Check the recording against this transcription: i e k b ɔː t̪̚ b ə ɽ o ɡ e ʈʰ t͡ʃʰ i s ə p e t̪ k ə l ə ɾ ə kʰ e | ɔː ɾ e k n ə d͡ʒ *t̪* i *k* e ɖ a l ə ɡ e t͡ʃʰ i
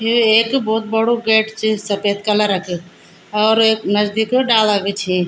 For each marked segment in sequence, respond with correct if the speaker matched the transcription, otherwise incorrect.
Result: incorrect: d̪, correct

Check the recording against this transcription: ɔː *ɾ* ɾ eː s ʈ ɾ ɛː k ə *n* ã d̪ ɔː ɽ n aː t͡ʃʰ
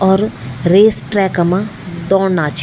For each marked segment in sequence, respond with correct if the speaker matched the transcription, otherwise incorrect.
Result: correct, incorrect: m

